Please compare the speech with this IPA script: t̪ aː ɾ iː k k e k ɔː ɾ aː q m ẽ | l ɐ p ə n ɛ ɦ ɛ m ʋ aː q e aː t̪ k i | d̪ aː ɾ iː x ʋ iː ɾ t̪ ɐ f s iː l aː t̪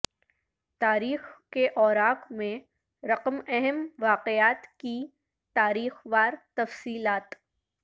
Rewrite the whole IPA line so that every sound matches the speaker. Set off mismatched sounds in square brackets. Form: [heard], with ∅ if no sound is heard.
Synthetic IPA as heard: t̪ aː ɾ iː [x] k e [ʔ] ɔː ɾ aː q m ẽ | [ɾ] ɐ [q] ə [m] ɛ ɦ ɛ m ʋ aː q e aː t̪ k i | [t̪] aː ɾ iː x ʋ [aː] ɾ t̪ ɐ f s iː l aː t̪